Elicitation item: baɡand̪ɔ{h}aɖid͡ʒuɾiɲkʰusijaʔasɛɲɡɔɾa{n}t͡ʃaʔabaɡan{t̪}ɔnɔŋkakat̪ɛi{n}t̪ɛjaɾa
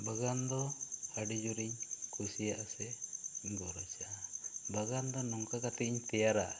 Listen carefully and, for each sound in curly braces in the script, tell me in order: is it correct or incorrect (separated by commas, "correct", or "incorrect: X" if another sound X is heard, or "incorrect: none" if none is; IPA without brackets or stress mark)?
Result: correct, incorrect: none, incorrect: d̪, incorrect: ɲ